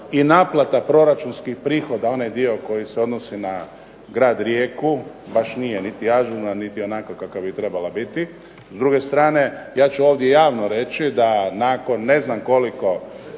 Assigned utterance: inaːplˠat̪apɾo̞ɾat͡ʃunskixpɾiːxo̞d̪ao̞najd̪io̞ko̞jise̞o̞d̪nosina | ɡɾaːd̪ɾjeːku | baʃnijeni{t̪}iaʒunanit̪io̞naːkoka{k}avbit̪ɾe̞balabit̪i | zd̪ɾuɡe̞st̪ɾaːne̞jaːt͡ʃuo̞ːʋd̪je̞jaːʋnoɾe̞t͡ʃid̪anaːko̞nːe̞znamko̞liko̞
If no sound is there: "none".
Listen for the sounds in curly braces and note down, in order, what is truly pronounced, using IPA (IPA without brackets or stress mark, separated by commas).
t̪, k